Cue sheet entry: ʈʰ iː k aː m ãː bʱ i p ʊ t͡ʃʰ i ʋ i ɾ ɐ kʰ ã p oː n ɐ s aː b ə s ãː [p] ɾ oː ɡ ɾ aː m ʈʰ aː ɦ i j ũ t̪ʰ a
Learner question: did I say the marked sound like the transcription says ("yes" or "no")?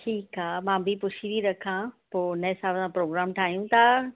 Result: yes